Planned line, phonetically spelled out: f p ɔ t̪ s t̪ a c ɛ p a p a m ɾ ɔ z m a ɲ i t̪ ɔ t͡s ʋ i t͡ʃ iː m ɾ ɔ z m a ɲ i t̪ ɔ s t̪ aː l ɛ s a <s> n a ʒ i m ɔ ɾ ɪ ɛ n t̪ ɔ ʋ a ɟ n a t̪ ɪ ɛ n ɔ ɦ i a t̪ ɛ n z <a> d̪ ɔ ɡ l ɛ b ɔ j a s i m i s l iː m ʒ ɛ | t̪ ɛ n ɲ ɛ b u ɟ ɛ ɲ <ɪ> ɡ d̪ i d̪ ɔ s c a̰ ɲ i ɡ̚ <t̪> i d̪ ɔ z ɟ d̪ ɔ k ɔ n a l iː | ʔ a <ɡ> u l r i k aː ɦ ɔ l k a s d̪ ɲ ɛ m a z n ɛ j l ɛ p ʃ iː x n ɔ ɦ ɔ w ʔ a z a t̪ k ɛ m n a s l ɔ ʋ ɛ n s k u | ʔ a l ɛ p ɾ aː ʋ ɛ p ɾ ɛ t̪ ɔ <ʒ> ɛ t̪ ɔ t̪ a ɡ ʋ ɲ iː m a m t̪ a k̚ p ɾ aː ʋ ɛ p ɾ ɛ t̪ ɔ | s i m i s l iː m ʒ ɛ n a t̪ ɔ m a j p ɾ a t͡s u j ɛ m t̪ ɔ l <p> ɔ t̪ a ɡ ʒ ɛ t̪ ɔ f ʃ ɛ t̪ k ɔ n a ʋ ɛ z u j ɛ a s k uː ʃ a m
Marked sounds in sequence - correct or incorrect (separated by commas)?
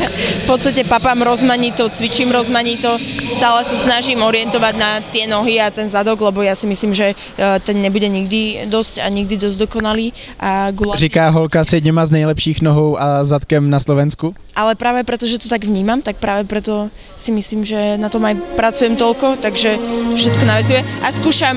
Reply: correct, correct, incorrect, incorrect, correct, correct, incorrect